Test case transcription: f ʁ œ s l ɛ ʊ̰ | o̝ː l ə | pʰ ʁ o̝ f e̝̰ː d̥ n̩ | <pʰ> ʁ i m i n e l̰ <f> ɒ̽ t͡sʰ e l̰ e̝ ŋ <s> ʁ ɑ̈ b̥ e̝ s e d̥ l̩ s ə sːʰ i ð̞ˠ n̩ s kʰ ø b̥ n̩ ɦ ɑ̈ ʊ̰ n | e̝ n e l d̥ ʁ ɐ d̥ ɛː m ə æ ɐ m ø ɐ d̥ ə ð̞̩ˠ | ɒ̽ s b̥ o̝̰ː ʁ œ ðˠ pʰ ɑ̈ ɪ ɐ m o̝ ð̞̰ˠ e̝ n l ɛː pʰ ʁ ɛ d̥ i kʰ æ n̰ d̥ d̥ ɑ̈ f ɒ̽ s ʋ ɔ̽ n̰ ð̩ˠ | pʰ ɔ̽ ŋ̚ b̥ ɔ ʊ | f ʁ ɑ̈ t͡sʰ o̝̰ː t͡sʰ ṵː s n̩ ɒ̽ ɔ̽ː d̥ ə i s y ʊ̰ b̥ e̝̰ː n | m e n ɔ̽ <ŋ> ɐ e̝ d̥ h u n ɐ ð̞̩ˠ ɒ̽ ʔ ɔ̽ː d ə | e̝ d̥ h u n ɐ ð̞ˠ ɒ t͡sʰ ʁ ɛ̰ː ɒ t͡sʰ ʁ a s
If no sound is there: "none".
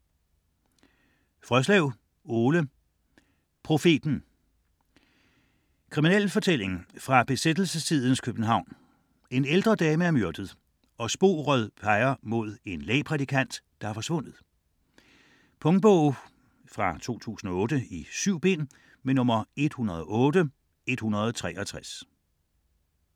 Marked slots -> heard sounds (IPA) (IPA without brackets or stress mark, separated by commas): kʰ, f, f, m